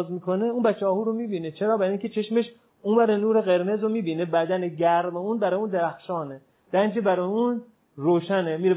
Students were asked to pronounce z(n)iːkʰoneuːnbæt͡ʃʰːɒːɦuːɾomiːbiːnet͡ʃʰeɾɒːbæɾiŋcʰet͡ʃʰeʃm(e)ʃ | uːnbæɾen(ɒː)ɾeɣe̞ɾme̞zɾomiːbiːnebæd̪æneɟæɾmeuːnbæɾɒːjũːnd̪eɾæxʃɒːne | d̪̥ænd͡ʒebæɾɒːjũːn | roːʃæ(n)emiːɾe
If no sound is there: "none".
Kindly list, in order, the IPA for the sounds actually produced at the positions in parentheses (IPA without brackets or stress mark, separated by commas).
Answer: m, e, uː, n